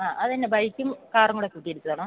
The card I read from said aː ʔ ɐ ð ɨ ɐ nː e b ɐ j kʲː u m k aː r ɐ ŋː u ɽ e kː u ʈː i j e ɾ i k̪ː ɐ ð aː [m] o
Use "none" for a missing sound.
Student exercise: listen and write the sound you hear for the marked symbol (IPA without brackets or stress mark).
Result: ɳ